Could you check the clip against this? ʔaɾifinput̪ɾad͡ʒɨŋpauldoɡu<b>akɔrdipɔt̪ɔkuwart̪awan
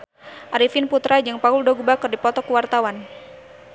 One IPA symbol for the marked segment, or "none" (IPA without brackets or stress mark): b